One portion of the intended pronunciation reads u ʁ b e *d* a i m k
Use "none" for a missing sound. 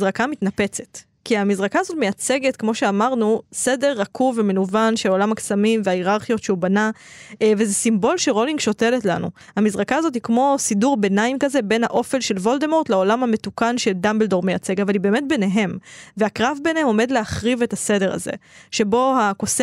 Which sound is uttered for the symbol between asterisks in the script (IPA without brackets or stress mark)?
n